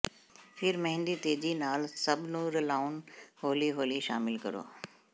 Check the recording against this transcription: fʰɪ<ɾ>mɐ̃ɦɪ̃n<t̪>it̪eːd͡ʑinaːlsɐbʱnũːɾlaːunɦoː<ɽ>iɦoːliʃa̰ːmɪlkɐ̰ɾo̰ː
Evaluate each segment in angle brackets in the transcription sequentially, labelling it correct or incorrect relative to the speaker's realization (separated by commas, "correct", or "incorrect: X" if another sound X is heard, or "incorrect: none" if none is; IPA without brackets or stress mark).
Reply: correct, incorrect: d̪, incorrect: l